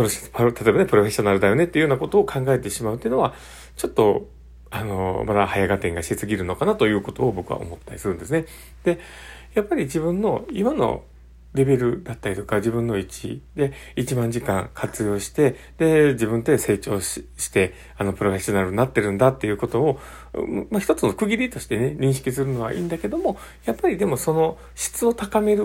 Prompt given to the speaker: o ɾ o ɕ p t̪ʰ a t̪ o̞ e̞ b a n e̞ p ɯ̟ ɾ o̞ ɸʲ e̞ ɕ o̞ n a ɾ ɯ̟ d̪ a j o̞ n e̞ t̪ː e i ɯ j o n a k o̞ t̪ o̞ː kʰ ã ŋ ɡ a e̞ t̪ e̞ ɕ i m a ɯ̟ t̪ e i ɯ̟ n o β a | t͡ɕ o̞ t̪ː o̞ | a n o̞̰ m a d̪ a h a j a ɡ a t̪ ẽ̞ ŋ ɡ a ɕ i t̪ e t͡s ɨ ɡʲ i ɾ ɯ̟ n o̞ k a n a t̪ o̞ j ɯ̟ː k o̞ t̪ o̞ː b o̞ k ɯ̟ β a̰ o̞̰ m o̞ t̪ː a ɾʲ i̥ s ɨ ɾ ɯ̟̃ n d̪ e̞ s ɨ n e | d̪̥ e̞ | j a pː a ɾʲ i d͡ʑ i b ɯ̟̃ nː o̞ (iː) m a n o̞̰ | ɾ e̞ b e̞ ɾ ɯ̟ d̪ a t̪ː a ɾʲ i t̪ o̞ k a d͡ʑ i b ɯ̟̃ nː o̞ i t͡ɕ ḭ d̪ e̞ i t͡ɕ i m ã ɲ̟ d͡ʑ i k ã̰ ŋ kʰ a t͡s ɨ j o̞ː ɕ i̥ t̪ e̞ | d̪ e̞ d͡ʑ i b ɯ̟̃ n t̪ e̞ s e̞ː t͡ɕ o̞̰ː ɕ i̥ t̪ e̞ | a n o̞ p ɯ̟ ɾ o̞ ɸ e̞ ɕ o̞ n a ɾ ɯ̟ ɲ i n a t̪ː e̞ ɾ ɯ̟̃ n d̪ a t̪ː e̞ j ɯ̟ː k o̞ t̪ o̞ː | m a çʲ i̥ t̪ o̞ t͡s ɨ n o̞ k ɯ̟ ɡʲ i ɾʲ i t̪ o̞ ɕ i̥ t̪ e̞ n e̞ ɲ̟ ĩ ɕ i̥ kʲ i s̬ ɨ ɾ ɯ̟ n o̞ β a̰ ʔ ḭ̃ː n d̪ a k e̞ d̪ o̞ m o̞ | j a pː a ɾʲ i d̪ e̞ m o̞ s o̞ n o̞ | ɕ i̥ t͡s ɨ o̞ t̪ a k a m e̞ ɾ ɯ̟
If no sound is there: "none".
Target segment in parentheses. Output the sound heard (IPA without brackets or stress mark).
i